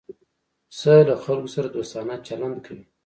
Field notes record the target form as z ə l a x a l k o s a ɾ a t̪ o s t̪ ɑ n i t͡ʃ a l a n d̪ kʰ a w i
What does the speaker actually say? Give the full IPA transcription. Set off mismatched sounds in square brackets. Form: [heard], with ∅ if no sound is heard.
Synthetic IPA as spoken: [s] ə l a x a l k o s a ɾ a [d̪] o s t̪ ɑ n [a] t͡ʃ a l a n d̪ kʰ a w i